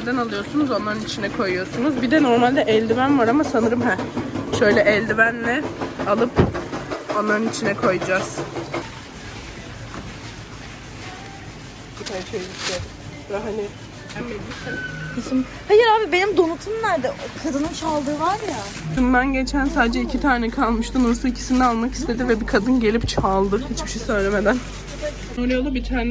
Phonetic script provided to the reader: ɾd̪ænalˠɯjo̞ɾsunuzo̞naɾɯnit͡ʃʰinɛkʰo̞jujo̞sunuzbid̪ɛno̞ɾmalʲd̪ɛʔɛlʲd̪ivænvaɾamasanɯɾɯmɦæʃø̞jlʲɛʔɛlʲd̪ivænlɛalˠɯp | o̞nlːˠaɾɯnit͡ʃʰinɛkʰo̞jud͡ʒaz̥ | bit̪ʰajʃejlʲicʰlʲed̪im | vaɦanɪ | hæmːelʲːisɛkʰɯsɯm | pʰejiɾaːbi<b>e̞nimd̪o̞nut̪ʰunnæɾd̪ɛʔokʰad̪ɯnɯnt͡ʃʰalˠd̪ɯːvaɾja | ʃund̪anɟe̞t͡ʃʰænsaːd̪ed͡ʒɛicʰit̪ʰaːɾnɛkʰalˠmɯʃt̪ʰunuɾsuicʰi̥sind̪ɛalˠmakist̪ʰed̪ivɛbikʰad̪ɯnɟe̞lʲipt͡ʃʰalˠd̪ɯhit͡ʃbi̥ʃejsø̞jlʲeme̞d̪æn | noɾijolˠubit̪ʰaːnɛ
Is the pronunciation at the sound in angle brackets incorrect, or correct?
correct